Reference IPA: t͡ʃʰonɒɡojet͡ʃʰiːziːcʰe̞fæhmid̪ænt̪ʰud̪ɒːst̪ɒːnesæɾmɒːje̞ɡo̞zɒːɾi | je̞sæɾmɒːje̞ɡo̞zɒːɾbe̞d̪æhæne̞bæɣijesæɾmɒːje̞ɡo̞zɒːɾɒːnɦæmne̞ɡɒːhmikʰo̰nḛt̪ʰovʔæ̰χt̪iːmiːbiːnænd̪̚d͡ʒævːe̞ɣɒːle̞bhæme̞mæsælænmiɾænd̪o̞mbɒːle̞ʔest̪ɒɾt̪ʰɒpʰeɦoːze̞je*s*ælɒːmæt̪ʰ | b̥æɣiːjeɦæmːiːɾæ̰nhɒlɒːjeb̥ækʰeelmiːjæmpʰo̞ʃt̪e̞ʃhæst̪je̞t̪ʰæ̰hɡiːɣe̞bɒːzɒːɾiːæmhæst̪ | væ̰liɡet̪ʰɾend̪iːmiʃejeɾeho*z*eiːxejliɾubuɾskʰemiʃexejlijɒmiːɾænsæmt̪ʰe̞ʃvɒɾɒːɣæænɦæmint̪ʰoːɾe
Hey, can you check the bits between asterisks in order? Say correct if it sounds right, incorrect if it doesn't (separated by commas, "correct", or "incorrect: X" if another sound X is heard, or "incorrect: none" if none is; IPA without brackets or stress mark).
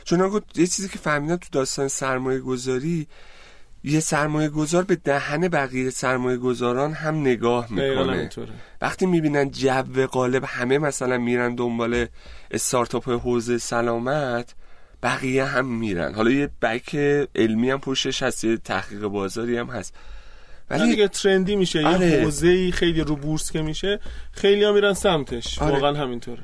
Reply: correct, correct